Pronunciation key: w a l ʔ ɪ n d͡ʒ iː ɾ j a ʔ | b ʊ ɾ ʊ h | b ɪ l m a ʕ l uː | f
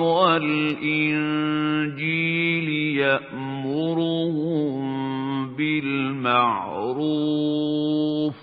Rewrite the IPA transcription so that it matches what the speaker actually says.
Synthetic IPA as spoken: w a l ʔ ɪ n d͡ʒ iː l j a ʔ | m ʊ ɾ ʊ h | b ɪ l m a ʕ ɾ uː | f